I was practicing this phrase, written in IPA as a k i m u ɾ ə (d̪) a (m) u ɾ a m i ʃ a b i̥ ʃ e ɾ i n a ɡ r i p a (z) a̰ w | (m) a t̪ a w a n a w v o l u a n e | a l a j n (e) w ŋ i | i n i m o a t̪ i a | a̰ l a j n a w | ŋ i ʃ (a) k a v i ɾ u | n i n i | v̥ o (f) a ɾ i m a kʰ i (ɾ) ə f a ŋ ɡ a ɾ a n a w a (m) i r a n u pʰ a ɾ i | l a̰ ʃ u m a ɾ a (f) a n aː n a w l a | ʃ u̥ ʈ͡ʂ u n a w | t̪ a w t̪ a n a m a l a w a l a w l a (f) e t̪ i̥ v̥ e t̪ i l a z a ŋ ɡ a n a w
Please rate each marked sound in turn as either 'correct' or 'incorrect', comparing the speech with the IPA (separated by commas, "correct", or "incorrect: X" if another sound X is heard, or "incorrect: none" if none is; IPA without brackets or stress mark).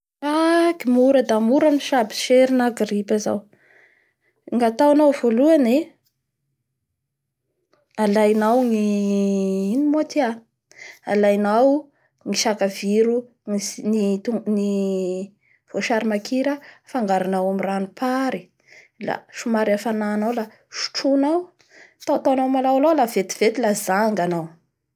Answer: correct, correct, correct, incorrect: ŋ, incorrect: a, correct, incorrect: ʃ, correct, correct, correct, incorrect: v